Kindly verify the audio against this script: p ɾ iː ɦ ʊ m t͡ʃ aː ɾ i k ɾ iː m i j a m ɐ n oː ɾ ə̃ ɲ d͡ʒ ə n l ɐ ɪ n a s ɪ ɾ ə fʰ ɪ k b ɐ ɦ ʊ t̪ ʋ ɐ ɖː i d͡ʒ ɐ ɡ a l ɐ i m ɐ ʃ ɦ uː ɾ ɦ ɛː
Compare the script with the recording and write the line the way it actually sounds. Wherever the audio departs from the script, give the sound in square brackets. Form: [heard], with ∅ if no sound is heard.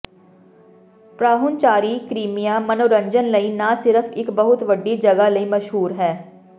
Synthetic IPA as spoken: p ɾ [aː] ɦ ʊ [n] t͡ʃ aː ɾ i k ɾ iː m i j a m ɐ n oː ɾ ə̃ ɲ d͡ʒ ə n l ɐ [i] n a s ɪ ɾ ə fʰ ɪ k b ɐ ɦ ʊ t̪ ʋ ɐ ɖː i d͡ʒ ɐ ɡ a l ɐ i m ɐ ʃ ɦ uː ɾ ɦ ɛː